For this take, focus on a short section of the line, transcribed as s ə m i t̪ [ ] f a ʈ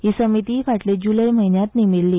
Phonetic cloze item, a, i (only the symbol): i